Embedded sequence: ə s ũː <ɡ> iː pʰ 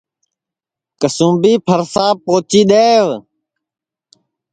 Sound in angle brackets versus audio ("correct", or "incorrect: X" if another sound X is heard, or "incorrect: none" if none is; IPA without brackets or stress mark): incorrect: b